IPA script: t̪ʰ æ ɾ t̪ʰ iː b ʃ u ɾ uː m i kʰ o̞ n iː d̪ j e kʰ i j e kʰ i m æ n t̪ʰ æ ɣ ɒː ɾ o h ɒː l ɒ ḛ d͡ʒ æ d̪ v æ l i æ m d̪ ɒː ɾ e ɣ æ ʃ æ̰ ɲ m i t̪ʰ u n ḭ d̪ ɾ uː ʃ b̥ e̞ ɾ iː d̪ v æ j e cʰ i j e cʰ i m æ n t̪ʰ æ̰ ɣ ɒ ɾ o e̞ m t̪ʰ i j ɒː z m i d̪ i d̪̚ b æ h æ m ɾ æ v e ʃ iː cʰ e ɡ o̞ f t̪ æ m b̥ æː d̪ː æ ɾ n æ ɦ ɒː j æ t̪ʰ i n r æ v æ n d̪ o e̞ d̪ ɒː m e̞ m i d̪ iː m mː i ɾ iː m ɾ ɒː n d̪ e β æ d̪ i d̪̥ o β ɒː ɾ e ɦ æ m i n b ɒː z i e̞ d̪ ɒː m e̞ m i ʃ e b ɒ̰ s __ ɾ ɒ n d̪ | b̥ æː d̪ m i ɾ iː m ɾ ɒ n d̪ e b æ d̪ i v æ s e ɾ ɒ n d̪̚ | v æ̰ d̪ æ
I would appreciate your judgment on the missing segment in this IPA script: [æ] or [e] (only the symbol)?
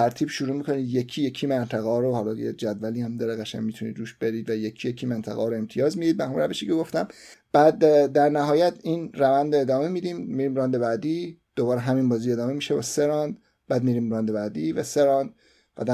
e